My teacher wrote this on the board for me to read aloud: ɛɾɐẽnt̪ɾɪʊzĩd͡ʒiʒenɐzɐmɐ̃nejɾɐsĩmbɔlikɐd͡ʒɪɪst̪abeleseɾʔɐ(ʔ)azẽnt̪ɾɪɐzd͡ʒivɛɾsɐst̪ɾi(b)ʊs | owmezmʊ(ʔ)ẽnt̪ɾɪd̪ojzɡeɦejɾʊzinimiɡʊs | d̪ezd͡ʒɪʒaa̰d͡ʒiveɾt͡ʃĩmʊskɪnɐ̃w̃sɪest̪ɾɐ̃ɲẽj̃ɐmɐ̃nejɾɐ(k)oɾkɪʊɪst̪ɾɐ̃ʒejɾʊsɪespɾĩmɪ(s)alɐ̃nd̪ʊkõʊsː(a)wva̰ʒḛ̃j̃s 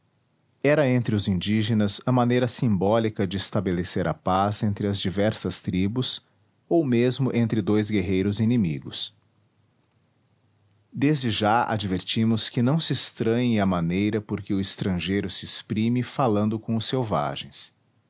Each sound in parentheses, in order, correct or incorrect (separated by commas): incorrect, correct, correct, incorrect, incorrect, incorrect